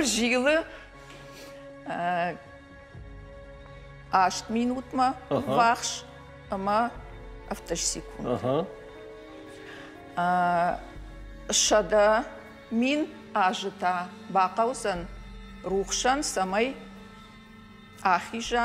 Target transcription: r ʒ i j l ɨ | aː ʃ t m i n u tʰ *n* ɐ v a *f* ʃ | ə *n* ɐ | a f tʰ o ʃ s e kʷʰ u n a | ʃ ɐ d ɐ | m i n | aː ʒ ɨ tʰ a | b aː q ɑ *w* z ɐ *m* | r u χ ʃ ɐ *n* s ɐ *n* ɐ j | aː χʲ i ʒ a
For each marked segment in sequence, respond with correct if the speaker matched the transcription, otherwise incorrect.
incorrect: m, incorrect: χ, incorrect: m, correct, incorrect: n, correct, incorrect: m

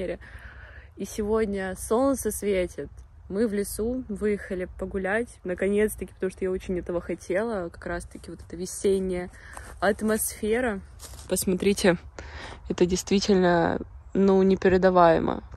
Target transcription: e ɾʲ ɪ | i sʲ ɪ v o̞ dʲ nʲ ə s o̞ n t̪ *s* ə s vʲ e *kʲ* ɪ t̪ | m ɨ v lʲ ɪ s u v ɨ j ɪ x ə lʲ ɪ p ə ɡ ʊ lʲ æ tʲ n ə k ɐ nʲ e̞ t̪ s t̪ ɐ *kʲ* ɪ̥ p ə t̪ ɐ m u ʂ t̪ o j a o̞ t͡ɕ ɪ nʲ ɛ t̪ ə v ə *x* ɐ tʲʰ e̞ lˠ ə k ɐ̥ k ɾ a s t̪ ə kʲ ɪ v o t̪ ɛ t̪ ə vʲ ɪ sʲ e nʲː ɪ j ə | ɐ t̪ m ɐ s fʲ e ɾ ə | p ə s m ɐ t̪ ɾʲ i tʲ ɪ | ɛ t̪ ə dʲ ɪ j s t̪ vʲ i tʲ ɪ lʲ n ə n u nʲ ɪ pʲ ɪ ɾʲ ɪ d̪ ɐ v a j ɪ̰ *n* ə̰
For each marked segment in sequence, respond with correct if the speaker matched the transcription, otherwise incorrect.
correct, incorrect: tʲ, correct, correct, incorrect: m

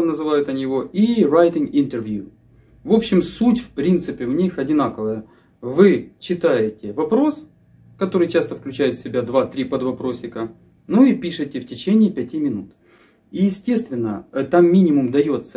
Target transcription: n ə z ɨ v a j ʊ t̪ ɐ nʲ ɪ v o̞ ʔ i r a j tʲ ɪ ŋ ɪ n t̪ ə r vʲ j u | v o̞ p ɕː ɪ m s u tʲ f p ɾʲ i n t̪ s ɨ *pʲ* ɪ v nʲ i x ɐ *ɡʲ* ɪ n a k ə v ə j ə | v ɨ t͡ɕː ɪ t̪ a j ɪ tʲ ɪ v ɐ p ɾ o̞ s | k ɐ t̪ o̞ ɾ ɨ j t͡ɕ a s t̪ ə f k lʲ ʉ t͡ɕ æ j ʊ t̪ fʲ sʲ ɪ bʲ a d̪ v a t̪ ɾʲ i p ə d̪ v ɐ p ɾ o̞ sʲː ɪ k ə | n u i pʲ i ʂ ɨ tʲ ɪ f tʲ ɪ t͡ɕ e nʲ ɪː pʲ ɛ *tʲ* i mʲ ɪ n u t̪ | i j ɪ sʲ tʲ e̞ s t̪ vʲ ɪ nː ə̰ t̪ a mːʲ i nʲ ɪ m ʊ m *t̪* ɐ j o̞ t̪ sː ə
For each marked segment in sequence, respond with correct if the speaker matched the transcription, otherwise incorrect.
correct, incorrect: dʲ, correct, incorrect: d̪

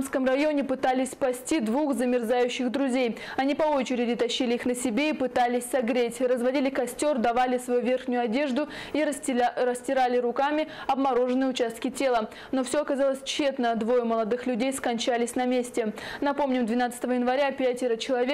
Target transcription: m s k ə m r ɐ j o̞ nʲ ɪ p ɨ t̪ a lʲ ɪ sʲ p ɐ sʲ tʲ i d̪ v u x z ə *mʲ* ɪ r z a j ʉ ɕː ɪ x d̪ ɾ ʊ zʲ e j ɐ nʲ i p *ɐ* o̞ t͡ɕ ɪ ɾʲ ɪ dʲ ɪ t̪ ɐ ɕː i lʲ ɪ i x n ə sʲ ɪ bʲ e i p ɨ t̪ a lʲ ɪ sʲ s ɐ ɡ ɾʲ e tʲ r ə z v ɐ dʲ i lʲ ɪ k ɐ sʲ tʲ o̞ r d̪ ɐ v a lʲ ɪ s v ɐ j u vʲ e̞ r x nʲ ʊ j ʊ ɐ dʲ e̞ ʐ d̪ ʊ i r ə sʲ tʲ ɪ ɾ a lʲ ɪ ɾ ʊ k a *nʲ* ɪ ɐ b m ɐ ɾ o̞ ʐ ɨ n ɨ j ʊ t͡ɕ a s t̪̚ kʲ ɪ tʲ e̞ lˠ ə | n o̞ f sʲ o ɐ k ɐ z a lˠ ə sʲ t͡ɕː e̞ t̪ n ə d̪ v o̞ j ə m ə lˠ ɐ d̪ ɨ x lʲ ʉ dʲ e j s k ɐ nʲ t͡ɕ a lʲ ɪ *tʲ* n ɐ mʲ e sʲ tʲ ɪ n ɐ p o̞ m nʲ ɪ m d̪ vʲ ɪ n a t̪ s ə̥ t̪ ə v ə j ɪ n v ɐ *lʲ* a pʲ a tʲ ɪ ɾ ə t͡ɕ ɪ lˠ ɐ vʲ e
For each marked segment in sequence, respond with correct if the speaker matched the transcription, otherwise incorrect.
correct, correct, incorrect: mʲ, incorrect: sʲ, incorrect: ɾʲ

